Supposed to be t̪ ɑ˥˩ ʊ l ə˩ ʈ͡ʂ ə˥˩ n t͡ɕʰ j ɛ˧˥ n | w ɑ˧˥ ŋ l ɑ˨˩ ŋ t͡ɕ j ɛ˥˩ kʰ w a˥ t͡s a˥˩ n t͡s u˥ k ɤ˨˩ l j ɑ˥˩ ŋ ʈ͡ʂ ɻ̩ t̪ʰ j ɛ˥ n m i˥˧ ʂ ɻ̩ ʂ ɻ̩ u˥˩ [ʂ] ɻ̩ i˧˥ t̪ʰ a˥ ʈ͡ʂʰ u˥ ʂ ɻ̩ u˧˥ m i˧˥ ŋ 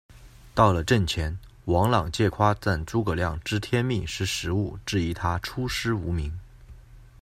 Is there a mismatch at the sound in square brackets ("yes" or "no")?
yes